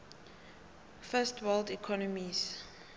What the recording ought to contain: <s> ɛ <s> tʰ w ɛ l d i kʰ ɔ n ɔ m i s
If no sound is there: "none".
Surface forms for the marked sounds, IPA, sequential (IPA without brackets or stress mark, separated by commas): f, s